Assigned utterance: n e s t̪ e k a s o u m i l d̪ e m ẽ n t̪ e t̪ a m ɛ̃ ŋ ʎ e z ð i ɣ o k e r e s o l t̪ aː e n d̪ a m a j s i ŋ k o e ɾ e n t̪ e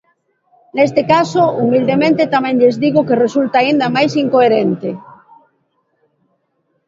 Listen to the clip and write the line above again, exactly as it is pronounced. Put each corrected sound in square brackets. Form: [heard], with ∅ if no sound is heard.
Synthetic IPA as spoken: n e s t̪ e k a s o u m i l d̪ e m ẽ n t̪ e t̪ a m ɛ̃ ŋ ʎ e z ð i ɣ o k e r e s [u] l t̪ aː [i] n d̪ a m a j s i ŋ k o e ɾ e n t̪ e